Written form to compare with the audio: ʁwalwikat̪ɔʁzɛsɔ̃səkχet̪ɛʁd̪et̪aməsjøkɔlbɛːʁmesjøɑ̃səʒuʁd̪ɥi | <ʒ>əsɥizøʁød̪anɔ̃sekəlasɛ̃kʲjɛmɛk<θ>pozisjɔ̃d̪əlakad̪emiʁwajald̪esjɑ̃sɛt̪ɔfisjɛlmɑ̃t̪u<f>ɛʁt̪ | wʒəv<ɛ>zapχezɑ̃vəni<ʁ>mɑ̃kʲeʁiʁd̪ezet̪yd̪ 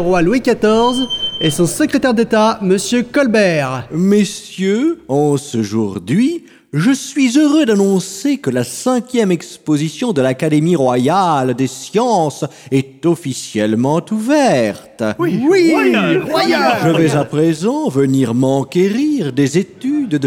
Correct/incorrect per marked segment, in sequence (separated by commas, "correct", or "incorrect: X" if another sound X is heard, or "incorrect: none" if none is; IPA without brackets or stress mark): correct, incorrect: s, incorrect: v, correct, correct